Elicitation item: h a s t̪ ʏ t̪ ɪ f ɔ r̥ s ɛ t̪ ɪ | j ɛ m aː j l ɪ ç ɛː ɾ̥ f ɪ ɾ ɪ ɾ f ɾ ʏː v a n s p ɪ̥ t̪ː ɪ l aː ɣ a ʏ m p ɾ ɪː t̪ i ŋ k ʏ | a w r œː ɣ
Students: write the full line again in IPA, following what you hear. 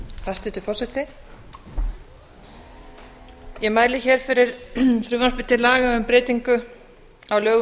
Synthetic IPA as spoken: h a s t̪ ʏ t̪ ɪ f ɔ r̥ s ɛ t̪ ɪ | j ɛ m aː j l ɪ ç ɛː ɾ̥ f ɪ ɾ ɪ ɾ f ɾ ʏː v a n s p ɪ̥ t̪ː ɪ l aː ɣ a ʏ m p ɾ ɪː t̪ i ŋ k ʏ | a w l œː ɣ